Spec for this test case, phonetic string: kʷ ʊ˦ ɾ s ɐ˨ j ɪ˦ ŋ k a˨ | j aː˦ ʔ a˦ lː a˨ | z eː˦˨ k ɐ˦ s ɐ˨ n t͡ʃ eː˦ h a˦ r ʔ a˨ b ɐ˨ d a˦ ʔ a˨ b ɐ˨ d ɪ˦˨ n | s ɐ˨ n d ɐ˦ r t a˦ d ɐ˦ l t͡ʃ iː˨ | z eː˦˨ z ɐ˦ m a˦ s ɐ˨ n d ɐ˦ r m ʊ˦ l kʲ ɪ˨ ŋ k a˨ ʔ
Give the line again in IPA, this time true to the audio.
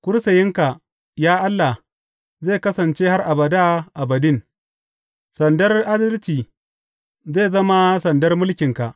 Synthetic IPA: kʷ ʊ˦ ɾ s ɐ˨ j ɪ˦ ŋ k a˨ | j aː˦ ʔ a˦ lː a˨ | z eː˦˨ k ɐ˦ s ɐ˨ n t͡ʃ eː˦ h a˦ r ʔ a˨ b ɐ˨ d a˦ ʔ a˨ b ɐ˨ d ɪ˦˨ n | s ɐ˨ n d ɐ˦ r ʔ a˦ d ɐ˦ l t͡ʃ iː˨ | z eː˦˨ z ɐ˦ m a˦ s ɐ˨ n d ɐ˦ r m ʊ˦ l kʲ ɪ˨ ŋ k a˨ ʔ